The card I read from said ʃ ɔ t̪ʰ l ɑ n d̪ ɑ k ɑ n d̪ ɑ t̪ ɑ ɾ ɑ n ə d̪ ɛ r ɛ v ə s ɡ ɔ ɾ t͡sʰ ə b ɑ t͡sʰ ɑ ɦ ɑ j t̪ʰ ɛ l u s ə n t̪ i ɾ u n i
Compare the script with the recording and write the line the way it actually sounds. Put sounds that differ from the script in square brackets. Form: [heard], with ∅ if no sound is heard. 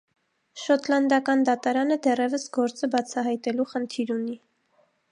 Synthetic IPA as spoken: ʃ ɔ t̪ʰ l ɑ n d̪ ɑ k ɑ n d̪ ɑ t̪ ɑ ɾ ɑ n ə d̪ ɛ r ɛ v ə s ɡ ɔ ɾ [t͡s] ə b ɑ t͡sʰ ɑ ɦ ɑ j [t̪] ɛ l u [χ] ə n [t̪ʰ] i ɾ u n i